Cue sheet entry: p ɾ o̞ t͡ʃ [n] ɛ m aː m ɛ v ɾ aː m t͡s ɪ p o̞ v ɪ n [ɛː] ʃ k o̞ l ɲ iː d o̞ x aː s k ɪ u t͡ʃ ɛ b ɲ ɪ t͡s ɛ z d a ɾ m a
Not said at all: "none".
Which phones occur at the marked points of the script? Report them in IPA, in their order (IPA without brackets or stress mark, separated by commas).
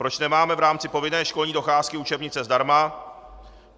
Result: n, ɛː